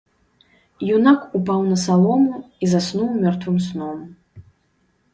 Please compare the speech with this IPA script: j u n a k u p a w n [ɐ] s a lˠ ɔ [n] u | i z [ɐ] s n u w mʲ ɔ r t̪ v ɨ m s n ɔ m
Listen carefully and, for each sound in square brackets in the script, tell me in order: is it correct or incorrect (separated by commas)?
correct, incorrect, incorrect